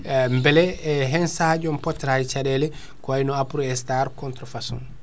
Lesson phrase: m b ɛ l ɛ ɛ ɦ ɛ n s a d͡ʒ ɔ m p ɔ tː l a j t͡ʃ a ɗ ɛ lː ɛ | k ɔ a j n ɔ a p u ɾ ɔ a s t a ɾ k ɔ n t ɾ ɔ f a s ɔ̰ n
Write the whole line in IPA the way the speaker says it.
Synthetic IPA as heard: m b ɛ l ɛ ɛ ɦ ɛ n s a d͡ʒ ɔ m p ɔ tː ɾ a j t͡ʃ a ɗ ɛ l ɛ | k ɔ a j n ɔ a p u ɾ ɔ ɛ s t a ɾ k ɔ n t ɾ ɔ f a s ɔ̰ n